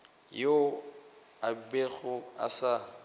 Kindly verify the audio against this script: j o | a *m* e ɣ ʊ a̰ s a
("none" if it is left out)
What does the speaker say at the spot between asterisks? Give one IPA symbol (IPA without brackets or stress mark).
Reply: b